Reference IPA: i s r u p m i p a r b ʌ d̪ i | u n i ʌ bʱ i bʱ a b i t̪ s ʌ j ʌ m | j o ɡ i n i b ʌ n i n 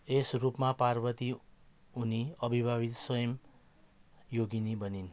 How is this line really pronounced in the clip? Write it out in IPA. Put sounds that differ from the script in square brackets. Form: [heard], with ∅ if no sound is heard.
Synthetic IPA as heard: [e] s r u p m [a] p a r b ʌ [t̪] i | u n i ʌ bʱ i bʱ a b i t̪ s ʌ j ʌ m | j o ɡ i n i b ʌ n i n